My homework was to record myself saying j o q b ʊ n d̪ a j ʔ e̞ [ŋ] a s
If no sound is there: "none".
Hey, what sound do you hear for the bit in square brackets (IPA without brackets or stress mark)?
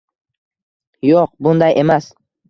m